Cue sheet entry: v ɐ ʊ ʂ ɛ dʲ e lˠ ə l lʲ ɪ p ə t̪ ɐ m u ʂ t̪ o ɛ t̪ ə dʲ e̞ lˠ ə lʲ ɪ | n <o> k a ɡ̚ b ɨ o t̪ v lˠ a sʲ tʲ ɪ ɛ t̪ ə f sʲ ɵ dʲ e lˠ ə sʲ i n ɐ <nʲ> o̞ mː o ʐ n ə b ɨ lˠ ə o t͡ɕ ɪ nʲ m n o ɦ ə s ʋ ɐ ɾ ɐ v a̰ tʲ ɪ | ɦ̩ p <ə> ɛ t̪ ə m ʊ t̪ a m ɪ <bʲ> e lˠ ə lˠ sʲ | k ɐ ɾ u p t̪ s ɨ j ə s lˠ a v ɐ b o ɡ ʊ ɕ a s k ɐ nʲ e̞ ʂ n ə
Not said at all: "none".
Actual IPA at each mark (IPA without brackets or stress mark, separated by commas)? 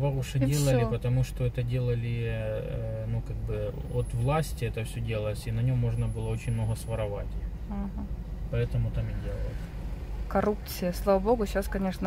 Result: u, nʲ, ɐ, dʲ